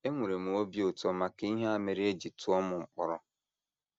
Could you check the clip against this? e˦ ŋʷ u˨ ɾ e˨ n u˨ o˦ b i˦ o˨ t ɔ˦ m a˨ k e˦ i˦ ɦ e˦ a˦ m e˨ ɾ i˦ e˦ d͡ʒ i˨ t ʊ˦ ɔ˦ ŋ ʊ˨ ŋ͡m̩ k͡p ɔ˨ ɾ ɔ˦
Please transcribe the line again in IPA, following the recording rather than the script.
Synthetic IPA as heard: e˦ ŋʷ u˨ ɾ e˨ m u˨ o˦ b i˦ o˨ t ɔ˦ m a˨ k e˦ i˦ ɦ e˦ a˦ m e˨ ɾ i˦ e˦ d͡ʒ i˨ t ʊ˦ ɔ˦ m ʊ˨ ŋ͡m̩ k͡p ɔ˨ ɾ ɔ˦